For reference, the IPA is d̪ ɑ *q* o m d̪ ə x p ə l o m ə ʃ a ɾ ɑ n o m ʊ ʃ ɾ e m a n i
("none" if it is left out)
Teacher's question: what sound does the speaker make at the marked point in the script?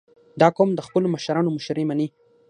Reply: k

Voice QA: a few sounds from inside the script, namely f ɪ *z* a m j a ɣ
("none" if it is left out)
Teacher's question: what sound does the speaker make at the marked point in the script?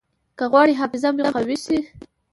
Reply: z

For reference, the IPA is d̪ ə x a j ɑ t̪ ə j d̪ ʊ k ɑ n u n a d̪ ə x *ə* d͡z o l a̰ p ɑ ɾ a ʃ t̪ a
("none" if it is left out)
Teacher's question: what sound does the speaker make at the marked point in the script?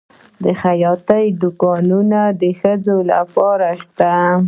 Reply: ə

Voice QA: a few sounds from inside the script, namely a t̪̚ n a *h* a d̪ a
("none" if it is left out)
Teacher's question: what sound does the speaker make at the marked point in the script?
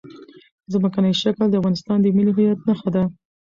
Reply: x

